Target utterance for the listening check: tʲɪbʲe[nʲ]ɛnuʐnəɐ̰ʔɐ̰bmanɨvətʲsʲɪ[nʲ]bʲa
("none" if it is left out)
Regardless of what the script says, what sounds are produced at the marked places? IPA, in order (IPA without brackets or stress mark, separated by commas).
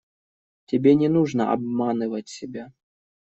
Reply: nʲ, none